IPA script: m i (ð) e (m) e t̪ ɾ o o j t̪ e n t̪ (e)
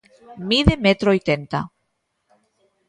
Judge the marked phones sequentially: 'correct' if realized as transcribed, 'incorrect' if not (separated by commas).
correct, correct, incorrect